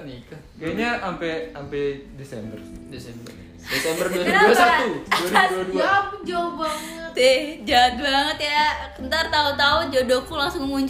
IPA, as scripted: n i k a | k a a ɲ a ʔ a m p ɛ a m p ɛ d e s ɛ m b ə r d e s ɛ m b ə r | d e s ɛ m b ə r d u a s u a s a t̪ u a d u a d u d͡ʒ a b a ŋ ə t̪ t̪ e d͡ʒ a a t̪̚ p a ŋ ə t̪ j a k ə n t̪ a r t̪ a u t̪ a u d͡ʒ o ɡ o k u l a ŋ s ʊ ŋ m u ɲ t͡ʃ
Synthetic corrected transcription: n i k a | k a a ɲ a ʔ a m p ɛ a m p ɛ d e s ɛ m b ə r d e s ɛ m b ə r | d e s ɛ m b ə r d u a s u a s a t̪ u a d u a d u d͡ʒ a b a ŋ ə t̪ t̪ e d͡ʒ a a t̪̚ b a ŋ ə t̪ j a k ə n t̪ a r t̪ a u t̪ a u d͡ʒ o d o k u l a ŋ s ʊ ŋ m u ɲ t͡ʃ